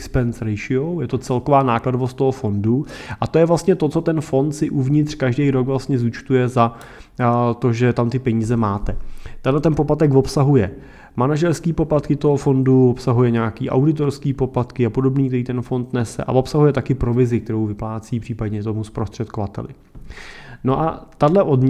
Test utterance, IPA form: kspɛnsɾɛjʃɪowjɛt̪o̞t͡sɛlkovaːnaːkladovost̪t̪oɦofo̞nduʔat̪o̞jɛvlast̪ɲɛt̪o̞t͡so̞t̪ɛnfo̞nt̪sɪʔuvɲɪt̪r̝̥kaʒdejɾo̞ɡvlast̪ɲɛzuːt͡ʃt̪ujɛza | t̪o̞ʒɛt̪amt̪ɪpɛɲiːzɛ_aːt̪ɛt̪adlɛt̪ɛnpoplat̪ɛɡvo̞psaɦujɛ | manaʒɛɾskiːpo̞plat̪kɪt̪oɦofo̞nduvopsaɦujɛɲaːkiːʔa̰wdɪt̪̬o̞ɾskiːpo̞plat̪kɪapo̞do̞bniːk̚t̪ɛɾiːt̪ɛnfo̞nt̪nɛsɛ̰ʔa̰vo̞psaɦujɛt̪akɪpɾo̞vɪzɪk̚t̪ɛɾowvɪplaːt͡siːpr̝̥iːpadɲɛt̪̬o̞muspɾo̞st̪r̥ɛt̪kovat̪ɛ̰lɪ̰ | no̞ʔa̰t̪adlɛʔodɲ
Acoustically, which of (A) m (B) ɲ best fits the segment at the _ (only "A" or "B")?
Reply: A